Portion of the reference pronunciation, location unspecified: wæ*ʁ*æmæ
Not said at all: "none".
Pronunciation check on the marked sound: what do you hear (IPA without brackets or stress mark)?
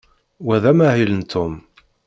ð